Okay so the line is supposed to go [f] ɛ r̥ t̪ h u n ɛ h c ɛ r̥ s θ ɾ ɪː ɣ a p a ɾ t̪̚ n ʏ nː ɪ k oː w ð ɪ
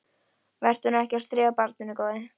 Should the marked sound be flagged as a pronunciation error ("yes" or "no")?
yes